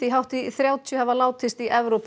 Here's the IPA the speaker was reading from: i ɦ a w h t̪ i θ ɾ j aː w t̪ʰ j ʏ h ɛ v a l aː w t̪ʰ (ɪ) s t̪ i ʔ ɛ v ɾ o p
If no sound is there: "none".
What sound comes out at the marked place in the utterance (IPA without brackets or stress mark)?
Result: ɪ